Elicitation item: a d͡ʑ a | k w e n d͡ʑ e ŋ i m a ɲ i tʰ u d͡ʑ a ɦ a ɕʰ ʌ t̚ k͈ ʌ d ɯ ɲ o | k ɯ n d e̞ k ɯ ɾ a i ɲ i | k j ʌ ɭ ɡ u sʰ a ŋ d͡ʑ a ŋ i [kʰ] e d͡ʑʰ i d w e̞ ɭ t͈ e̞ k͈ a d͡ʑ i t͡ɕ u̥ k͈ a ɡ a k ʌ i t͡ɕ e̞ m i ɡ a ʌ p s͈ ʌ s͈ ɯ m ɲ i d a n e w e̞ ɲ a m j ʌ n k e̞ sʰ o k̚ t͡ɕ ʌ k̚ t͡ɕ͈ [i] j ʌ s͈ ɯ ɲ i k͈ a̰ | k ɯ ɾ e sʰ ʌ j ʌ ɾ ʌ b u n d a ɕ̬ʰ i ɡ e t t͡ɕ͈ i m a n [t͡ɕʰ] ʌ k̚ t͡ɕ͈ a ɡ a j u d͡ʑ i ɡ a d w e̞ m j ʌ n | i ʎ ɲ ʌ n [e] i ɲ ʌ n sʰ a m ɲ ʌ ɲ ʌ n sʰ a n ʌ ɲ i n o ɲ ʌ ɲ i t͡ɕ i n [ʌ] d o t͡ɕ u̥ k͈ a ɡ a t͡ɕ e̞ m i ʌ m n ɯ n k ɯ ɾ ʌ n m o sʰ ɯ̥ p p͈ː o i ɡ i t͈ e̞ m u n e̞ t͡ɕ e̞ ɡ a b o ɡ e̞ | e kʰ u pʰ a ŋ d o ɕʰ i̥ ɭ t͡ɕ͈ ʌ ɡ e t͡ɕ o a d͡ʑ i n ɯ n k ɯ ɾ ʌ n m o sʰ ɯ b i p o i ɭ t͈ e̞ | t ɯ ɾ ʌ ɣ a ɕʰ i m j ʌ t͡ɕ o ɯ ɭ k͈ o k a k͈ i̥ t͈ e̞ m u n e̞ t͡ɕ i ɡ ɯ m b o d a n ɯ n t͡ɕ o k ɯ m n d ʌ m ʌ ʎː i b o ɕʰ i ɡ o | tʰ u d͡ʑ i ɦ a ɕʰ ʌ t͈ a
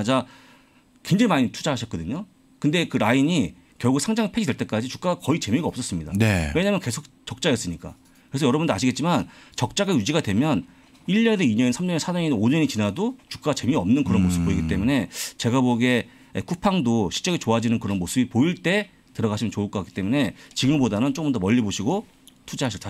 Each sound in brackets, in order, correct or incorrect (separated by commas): incorrect, incorrect, incorrect, correct, incorrect